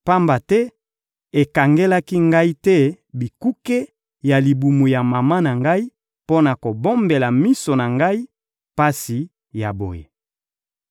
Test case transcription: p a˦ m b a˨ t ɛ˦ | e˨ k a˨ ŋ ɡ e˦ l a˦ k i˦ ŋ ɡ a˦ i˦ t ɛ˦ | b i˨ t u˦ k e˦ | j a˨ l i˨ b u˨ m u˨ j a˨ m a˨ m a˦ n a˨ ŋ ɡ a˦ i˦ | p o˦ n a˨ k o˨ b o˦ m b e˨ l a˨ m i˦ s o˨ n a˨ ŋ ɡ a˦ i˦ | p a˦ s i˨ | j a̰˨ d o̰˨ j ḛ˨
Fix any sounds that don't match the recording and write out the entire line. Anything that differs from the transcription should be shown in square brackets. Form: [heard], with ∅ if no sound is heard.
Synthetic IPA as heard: p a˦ m b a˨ t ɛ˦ | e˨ k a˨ ŋ ɡ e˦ l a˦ k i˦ ŋ ɡ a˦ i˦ t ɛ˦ | b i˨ [k] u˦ k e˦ | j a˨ l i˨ b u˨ m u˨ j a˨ m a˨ m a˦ n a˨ ŋ ɡ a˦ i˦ | p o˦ n a˨ k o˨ b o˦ m b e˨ l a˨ m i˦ s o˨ n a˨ ŋ ɡ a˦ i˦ | p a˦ s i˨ | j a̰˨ [b] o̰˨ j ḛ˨